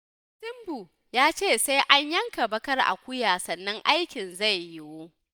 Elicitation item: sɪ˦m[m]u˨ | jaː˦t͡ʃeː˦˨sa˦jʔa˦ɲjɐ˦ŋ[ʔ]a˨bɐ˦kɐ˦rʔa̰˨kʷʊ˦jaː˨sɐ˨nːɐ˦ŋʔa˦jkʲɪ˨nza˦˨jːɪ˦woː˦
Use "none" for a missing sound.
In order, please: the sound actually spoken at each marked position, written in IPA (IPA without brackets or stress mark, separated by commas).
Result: b, k